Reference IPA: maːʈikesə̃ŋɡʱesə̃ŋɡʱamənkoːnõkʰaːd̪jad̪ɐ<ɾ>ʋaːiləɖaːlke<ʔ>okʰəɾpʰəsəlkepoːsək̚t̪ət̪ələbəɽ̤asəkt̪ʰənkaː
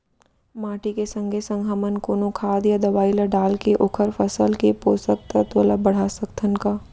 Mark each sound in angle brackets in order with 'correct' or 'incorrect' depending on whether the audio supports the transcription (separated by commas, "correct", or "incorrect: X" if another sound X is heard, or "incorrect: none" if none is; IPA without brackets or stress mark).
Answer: incorrect: none, correct